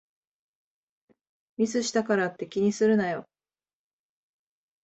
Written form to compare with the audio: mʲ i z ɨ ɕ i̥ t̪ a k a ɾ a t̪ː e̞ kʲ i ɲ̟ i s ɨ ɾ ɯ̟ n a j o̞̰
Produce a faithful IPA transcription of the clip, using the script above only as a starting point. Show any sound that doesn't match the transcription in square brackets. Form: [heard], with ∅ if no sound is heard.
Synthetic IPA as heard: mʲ i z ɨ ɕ i̥ t̪ a k a ɾ a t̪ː e̞ kʲ i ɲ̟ i s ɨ ɾ ɯ̟ n a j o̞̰